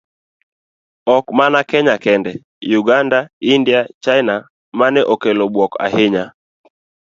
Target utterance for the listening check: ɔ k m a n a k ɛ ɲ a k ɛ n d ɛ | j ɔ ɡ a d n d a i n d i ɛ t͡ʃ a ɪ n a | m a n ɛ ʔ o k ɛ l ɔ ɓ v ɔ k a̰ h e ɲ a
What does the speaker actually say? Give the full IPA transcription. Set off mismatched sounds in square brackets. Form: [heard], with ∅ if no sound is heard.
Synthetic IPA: ɔ k m a n a k ɛ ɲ a k ɛ n d ɛ | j [u] ɡ a [∅] n d a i n d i [a] t͡ʃ a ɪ n a | m a n ɛ ʔ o k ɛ l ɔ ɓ [w] ɔ k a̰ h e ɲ a